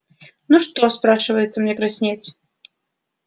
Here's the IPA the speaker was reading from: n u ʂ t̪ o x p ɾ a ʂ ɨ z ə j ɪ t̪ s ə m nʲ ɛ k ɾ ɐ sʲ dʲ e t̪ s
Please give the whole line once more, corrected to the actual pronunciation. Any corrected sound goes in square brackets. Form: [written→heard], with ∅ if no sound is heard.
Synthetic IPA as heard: n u ʂ t̪ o [x→s] p ɾ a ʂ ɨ [z→v] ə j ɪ t̪ s ə m nʲ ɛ k ɾ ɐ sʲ [dʲ→nʲ] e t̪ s